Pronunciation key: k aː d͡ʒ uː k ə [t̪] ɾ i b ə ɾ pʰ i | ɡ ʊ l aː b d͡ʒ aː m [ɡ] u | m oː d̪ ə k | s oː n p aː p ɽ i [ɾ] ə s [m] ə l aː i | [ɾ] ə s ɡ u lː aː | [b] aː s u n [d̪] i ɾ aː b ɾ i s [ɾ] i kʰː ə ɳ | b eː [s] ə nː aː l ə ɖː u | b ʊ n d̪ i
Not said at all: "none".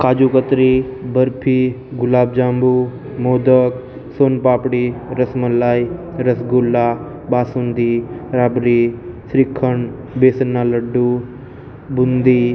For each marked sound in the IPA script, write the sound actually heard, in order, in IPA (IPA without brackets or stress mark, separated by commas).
t̪, b, ɾ, m, ɾ, b, d̪, ɾ, s